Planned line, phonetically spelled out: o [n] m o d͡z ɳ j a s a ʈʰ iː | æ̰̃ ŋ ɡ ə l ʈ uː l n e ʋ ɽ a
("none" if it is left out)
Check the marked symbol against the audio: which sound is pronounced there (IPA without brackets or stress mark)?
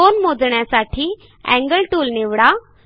n